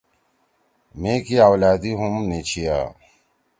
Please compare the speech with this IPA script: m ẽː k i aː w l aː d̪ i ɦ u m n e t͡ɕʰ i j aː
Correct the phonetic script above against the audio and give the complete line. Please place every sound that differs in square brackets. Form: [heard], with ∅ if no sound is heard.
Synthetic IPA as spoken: m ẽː k i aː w l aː d̪ i ɦ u m n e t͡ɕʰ i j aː